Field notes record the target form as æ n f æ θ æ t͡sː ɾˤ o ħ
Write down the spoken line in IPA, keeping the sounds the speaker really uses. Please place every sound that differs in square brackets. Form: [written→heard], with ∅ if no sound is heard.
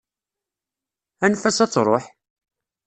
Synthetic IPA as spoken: æ n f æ [θ→s] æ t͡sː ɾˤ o ħ